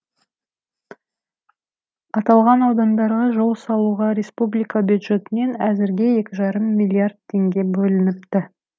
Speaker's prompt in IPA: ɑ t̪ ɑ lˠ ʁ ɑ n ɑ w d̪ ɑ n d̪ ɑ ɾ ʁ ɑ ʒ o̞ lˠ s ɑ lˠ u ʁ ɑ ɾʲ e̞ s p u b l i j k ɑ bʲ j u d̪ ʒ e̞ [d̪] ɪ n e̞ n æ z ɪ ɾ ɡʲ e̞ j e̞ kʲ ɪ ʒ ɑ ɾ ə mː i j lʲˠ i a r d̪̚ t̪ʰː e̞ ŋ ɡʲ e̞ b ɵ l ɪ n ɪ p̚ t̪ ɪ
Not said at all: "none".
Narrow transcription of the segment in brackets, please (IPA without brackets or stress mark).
t̪